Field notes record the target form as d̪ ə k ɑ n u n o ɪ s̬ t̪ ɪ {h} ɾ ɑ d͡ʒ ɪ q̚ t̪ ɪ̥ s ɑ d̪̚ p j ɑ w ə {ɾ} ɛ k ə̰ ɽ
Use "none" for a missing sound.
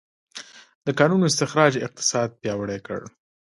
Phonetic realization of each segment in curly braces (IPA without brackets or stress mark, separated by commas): x, ɽ